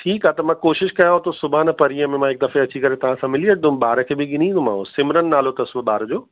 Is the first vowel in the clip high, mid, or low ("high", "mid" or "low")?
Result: high